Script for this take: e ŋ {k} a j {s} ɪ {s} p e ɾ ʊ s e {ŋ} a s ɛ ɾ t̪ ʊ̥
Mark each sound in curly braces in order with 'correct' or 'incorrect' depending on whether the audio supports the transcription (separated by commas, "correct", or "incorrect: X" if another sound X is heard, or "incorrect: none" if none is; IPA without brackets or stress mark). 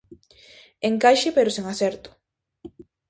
correct, incorrect: ʃ, incorrect: none, correct